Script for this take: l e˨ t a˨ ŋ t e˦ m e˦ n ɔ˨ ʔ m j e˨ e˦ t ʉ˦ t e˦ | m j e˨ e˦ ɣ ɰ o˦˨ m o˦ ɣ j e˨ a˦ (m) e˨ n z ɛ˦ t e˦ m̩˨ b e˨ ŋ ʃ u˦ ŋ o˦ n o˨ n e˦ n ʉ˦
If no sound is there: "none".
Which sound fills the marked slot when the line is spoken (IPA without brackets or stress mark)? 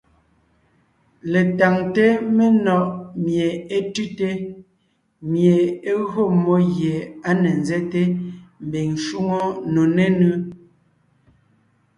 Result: n